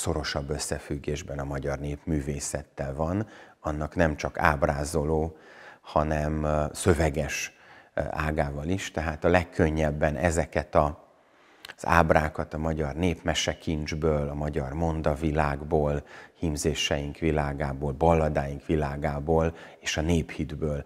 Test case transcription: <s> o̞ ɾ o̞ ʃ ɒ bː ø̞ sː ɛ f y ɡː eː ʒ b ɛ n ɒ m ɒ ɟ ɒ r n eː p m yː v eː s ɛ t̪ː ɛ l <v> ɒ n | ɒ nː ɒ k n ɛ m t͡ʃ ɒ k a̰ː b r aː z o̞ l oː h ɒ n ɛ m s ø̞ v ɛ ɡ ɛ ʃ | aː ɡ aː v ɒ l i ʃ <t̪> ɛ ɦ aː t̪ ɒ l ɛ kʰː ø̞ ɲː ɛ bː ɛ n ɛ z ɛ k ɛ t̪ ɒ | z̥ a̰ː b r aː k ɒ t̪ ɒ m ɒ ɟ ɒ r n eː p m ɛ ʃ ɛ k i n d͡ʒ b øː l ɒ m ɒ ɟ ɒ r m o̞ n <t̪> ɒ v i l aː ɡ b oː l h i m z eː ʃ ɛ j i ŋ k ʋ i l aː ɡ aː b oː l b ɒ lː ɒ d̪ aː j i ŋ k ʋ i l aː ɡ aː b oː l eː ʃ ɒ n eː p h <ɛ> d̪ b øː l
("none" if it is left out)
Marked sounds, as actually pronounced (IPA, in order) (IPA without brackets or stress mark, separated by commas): s, v, t̪, d̪, i